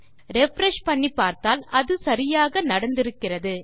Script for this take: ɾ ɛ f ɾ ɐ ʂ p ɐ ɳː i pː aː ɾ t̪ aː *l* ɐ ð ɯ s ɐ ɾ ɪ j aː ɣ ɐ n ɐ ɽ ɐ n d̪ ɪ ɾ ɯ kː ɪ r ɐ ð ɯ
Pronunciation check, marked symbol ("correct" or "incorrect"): correct